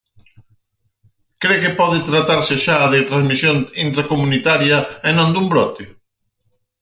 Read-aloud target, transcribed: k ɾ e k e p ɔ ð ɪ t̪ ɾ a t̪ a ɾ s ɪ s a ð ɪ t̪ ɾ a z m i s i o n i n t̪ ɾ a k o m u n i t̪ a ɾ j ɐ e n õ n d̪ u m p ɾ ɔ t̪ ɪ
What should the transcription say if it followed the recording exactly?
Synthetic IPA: k ɾ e k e p ɔ ð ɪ t̪ ɾ a t̪ a ɾ s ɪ ʃ a ð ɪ t̪ ɾ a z m i s j o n i n t̪ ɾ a k o m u n i t̪ a ɾ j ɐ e n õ n d̪ u m b ɾ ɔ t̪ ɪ